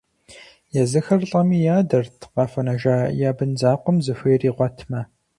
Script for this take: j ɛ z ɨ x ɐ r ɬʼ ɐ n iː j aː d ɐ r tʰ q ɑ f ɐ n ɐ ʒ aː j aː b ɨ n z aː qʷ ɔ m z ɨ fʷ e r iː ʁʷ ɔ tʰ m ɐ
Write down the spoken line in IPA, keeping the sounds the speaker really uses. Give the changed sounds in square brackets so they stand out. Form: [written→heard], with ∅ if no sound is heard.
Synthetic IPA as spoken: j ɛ z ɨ x ɐ r ɬʼ ɐ [n→m] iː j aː d ɐ r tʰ q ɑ f ɐ n ɐ ʒ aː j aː b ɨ n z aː qʷ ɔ m z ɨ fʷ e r iː ʁʷ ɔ tʰ m ɐ